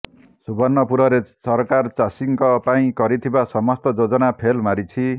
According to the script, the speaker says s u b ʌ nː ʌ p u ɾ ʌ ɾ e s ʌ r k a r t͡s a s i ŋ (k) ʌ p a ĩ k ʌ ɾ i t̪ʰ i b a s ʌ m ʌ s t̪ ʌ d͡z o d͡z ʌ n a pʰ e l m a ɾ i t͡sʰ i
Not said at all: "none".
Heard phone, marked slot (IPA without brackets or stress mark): k